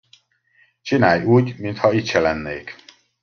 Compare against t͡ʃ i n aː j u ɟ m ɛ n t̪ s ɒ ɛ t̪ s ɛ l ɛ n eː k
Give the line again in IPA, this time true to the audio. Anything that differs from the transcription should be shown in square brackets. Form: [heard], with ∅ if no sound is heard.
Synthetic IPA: t͡ʃ i n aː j [uː] ɟ m [i] n t̪ [h] ɒ [i] t̪ [ʃ] ɛ l ɛ [nː] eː k

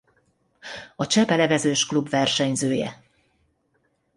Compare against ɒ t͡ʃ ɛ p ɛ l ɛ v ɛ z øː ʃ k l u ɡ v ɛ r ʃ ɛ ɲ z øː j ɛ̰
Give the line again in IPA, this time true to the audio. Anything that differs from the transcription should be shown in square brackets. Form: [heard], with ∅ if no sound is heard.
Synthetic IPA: ɒ t͡ʃ ɛ p ɛ l ɛ v ɛ z øː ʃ k l u [b] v ɛ r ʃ ɛ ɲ z øː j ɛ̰

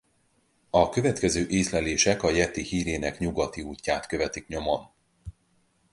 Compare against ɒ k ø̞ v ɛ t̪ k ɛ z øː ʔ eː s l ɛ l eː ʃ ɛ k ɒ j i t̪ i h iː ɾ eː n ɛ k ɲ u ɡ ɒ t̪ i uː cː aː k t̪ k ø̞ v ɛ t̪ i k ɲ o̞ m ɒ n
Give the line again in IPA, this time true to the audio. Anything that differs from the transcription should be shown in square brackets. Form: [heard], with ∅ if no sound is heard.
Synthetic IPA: ɒ k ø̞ v ɛ t̪ k ɛ z øː ʔ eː s l ɛ l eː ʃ ɛ k ɒ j [ɛ] t̪ i h iː ɾ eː n ɛ k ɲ u ɡ ɒ t̪ i uː cː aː [∅] t̪ k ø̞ v ɛ t̪ i k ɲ o̞ m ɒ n

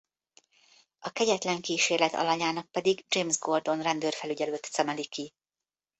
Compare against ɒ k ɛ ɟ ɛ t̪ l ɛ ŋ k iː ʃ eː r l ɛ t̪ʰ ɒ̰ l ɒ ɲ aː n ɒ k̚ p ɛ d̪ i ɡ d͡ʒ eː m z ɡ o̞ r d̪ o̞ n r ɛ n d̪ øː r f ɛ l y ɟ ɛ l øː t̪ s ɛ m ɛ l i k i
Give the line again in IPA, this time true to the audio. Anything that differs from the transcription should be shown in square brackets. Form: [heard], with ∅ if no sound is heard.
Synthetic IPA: ɒ k ɛ ɟ ɛ t̪ l ɛ ŋ k iː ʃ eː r l ɛ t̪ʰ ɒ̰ l ɒ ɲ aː n ɒ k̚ p ɛ d̪ i ɡ d͡ʒ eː m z ɡ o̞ r d̪ o̞ n r ɛ n d̪ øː r f ɛ l y ɟ ɛ l øː t̪ s ɛ m ɛ l i k i

